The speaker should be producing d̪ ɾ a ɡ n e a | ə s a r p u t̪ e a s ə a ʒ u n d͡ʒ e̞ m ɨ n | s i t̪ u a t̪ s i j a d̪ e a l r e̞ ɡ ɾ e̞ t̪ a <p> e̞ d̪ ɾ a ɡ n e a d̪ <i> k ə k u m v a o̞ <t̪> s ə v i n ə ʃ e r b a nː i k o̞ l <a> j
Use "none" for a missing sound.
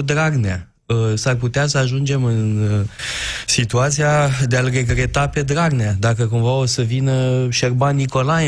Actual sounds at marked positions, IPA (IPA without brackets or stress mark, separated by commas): p, a, none, a